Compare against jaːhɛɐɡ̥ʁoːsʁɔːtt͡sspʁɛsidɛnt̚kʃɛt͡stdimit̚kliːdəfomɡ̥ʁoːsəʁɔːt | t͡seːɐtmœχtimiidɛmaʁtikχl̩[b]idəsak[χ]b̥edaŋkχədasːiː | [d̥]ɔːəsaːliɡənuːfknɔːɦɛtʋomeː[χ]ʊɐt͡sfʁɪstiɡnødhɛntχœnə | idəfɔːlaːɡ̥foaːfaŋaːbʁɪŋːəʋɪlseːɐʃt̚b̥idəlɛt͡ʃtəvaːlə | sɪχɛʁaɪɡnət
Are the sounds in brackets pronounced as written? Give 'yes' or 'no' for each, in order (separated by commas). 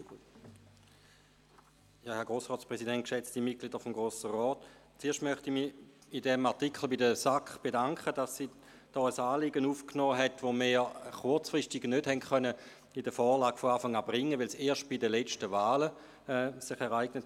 yes, yes, yes, yes